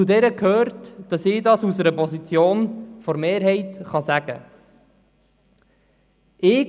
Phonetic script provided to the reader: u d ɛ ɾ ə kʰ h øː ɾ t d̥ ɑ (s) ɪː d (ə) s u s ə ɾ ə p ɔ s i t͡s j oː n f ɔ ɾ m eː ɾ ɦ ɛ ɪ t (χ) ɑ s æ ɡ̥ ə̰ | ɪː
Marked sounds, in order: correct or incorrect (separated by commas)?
correct, incorrect, correct